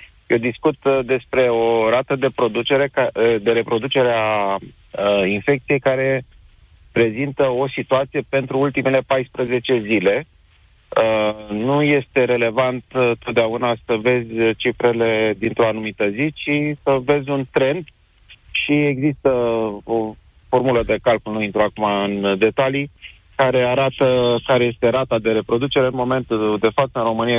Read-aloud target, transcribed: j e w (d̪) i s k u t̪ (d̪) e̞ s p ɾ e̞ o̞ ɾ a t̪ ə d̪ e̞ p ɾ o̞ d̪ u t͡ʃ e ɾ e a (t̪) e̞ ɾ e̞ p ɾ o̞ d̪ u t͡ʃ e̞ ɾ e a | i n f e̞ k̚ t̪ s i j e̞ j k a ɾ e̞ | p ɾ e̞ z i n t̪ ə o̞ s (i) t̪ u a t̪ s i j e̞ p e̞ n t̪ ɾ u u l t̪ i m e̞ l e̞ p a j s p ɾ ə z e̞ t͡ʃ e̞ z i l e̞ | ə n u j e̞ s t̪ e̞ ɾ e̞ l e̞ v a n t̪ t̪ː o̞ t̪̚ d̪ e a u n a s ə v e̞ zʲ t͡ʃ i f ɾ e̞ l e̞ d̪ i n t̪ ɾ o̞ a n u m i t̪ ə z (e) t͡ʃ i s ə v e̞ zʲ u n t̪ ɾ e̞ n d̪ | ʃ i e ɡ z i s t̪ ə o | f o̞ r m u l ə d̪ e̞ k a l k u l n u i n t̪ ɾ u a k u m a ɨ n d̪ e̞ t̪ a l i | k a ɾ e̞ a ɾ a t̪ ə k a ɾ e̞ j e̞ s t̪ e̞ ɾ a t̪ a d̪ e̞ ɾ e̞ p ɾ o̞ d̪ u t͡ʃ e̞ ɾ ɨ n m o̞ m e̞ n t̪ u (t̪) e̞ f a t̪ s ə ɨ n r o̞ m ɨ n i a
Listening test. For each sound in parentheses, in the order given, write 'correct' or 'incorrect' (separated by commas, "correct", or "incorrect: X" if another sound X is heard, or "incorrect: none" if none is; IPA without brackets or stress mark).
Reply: correct, correct, incorrect: d̪, correct, incorrect: i, incorrect: d̪